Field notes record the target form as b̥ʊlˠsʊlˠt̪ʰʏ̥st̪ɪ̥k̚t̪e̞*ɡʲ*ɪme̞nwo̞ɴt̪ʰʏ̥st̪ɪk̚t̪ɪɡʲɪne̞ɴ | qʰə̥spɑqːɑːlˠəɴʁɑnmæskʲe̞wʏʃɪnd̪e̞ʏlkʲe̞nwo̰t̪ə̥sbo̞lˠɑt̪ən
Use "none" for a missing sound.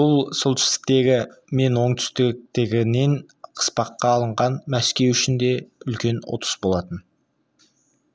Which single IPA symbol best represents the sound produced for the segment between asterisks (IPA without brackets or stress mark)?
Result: ɡʲ